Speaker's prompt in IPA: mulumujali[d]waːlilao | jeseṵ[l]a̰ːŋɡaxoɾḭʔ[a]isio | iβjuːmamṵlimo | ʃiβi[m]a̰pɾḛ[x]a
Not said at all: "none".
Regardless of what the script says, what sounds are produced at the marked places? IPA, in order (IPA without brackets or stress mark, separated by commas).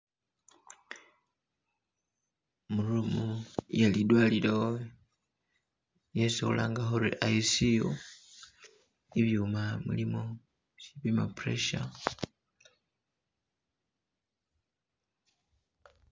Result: d, l, a, m, ʃ